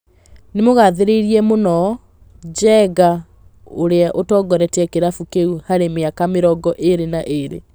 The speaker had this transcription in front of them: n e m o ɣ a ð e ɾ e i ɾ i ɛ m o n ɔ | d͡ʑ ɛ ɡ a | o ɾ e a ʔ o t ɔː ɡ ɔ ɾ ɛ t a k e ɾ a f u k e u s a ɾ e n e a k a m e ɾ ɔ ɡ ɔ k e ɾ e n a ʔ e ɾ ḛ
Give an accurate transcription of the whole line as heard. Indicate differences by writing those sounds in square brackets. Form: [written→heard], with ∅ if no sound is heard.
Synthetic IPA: n e m o ɣ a ð e ɾ e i ɾ i ɛ m o n ɔ | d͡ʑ ɛ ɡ a | o ɾ e a ʔ o t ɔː ɡ ɔ ɾ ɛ t [a→ɛ] k e ɾ a f u k e u [s→h] a ɾ e [n→m] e a k a m e ɾ ɔ ɡ ɔ [k→ʔ] e ɾ e n a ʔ e ɾ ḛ